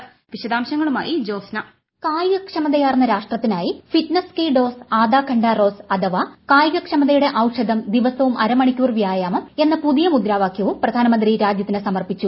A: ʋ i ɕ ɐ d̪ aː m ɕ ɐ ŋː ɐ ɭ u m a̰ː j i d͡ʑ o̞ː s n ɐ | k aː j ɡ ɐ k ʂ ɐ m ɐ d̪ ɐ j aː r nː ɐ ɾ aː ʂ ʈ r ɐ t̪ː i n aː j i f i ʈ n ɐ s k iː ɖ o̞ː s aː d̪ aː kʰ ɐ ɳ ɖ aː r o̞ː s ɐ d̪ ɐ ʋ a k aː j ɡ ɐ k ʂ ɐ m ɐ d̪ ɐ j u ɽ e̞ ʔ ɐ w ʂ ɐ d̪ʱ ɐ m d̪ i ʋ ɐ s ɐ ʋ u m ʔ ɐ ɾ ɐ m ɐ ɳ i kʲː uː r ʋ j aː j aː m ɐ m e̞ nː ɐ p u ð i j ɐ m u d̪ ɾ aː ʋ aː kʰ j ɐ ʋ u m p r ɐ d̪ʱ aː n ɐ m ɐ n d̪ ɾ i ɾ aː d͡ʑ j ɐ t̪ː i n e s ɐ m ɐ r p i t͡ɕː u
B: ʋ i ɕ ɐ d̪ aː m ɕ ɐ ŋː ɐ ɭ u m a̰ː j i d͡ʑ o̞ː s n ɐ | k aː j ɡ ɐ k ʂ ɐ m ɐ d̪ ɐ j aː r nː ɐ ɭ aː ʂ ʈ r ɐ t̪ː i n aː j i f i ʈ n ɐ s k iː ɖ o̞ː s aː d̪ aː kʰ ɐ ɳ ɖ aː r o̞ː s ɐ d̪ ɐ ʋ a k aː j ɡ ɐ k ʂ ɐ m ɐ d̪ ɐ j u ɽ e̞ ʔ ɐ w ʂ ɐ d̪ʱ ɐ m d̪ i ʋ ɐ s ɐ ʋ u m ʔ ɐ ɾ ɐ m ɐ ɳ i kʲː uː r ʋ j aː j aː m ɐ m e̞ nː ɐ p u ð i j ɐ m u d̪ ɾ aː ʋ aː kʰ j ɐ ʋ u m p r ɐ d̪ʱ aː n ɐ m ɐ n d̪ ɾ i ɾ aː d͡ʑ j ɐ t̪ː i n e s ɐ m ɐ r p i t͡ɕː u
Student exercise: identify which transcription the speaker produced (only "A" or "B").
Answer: A